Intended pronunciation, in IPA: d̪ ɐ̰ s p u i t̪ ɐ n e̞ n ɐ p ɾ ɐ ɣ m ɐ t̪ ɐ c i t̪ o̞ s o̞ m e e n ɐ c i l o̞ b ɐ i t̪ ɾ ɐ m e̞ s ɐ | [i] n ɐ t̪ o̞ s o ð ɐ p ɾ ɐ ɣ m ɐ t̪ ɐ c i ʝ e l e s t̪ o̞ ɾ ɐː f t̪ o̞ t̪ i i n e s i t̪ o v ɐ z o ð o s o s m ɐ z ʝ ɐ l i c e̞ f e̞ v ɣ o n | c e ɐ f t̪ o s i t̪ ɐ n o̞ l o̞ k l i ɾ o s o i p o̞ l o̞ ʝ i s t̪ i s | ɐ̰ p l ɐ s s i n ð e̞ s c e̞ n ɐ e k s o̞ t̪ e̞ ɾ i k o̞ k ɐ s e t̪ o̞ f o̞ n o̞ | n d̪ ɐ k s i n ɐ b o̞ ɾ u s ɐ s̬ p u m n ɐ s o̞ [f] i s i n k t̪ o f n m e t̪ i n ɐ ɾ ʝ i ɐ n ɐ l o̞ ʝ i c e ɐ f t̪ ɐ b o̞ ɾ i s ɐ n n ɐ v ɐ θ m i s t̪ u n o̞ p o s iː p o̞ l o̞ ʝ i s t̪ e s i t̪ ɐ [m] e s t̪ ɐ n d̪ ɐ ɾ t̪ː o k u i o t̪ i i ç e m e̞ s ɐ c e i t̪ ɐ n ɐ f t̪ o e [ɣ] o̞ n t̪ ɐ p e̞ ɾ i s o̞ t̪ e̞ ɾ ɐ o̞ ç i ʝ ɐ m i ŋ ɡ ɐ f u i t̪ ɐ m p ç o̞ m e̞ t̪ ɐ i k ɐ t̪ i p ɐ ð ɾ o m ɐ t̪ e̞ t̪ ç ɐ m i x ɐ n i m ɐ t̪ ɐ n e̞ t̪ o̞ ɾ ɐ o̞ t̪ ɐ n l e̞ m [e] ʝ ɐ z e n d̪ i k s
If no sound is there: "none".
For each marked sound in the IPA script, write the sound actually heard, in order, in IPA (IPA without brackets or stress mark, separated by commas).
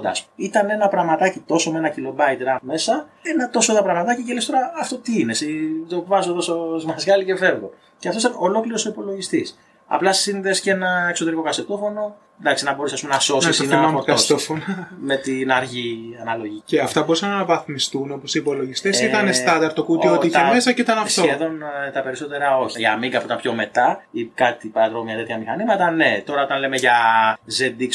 e, s, n, ð, e